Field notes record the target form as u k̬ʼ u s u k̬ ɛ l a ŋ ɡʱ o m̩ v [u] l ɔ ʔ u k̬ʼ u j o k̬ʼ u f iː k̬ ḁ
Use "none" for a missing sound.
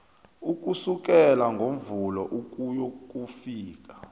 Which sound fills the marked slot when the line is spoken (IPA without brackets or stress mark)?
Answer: u